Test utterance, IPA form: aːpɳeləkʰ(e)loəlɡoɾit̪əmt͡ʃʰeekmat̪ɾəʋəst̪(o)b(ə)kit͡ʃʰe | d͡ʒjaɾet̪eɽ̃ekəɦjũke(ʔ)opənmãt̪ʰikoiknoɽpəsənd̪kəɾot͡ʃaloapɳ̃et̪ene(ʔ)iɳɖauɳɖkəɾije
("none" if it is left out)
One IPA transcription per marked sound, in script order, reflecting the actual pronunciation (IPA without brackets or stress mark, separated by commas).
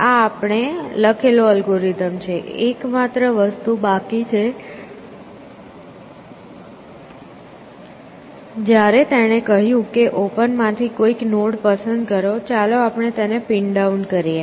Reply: e, u, a, ʔ, p